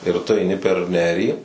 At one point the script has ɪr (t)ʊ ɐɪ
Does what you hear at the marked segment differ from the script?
no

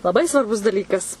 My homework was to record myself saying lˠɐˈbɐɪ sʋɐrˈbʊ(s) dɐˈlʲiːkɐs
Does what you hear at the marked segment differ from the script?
no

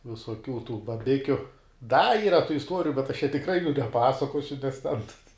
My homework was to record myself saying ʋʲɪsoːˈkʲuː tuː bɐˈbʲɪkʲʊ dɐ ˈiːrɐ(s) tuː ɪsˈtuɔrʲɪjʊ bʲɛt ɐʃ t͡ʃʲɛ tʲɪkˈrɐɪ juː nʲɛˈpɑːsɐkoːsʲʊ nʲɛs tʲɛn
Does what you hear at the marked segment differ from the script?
yes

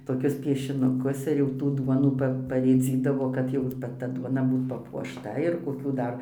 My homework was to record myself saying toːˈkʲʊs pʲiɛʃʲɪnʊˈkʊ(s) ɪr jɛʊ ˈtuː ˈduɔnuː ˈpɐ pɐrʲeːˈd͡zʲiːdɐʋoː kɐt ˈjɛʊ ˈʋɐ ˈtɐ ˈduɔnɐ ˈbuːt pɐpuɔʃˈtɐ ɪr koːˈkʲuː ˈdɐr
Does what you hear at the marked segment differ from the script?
no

